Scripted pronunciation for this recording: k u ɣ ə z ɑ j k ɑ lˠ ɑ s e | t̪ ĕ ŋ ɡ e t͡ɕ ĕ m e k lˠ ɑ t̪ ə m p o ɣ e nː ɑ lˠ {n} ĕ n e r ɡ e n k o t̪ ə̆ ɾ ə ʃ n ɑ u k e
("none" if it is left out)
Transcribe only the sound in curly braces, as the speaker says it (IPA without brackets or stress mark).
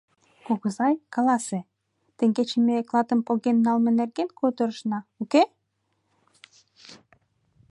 m